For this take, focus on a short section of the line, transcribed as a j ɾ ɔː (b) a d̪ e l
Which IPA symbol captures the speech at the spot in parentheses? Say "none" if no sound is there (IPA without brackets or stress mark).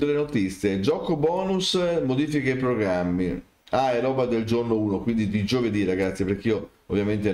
b